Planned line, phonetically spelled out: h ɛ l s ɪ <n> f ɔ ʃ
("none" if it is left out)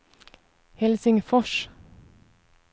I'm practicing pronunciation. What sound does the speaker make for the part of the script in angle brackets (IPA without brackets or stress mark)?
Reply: ŋ